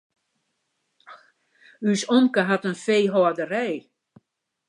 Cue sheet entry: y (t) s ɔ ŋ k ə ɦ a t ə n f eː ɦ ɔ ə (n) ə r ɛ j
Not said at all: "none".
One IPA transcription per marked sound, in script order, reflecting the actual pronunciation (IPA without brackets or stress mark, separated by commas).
none, d